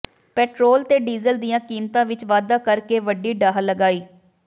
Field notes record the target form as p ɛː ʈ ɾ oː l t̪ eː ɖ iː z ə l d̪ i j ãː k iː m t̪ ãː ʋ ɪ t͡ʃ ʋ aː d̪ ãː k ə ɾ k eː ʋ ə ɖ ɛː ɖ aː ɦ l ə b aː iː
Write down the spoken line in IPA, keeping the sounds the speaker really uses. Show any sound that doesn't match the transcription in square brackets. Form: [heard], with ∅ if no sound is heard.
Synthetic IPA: p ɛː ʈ ɾ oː l t̪ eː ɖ iː z ə l d̪ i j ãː k iː m t̪ ãː ʋ ɪ t͡ʃ ʋ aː d̪ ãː k ə ɾ k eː ʋ ə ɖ [iː] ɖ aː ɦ l ə [ɡ] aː iː